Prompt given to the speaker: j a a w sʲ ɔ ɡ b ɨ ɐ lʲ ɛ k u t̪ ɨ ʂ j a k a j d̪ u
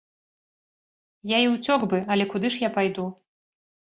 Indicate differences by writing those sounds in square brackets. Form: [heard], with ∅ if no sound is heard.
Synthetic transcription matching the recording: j a [i] w [t͡sʲ] ɔ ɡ b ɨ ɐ lʲ ɛ k u [d̪] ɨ ʂ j a [p] a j d̪ u